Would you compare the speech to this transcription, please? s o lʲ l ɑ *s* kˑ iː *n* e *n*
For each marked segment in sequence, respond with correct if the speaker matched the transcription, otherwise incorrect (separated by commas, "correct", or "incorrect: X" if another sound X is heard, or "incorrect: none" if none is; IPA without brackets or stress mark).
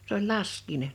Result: correct, correct, correct